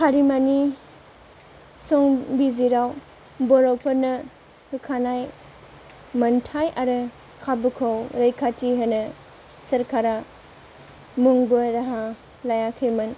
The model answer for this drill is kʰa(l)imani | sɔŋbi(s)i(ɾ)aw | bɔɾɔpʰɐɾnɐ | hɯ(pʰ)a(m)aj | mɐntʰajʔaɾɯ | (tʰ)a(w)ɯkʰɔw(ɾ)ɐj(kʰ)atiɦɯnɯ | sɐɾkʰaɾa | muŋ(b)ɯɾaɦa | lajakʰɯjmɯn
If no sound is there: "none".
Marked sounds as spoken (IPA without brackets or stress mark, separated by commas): ɾ, z, ɾ, kʰ, n, kʰ, b, ɾ, kʰ, b